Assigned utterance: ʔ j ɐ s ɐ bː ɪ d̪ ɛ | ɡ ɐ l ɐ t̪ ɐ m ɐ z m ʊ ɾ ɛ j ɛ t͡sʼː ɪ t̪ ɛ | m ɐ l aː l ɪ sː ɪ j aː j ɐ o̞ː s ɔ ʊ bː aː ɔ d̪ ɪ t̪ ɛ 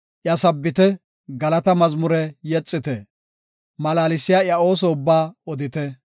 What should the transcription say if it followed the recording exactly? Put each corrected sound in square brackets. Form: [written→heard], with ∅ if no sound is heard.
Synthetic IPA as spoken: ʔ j ɐ s ɐ bː ɪ [d̪→t̪] ɛ | ɡ ɐ l ɐ t̪ ɐ m ɐ z m ʊ ɾ ɛ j ɛ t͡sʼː ɪ t̪ ɛ | m ɐ l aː l ɪ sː ɪ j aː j ɐ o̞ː s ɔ ʊ bː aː ɔ d̪ ɪ t̪ ɛ